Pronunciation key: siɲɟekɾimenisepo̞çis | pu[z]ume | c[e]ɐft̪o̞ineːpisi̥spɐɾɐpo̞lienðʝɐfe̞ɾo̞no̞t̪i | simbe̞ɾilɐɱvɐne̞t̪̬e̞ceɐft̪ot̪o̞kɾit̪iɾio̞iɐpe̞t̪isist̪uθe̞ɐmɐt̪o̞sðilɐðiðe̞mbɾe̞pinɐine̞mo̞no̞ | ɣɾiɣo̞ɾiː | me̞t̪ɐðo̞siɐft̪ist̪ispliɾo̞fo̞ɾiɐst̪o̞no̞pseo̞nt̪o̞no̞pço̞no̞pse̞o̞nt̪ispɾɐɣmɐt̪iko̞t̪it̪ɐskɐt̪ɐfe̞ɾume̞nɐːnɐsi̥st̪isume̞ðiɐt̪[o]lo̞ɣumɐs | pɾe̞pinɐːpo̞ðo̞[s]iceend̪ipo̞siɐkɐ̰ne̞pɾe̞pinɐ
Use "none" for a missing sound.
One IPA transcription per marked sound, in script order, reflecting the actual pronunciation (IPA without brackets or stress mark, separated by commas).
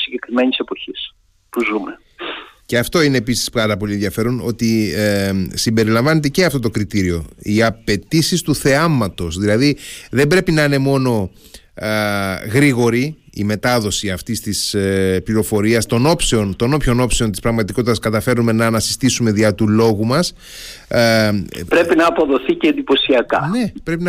z, e, u, θ